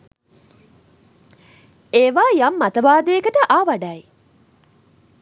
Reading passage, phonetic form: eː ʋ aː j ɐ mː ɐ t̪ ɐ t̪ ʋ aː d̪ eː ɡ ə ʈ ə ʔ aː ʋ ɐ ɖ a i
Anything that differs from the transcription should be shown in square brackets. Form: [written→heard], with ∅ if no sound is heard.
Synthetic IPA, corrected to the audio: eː ʋ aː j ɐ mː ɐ t̪ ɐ [t̪→∅] ʋ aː d̪ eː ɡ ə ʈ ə ʔ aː ʋ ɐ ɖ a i